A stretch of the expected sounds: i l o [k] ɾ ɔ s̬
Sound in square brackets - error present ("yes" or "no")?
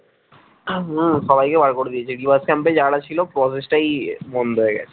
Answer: yes